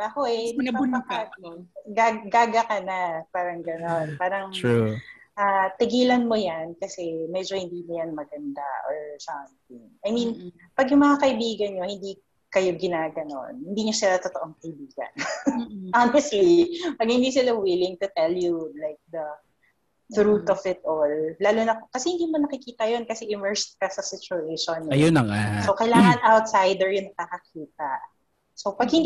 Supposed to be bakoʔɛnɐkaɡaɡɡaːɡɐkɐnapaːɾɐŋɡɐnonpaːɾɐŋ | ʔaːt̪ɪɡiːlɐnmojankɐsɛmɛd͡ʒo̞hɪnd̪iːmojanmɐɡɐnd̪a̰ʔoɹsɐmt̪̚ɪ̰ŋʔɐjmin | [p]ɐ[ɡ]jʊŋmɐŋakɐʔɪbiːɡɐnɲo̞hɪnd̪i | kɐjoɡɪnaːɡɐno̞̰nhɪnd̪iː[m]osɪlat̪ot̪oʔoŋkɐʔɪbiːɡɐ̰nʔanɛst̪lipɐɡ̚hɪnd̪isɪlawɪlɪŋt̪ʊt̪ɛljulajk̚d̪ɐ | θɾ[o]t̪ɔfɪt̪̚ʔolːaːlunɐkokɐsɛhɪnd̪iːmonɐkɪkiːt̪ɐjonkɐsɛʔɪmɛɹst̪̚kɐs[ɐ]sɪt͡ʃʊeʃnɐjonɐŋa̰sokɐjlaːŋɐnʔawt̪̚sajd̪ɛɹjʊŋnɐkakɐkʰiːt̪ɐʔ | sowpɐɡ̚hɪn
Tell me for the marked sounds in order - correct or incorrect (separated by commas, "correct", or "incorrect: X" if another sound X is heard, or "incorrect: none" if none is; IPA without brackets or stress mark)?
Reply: correct, correct, incorrect: ɲ, incorrect: u, correct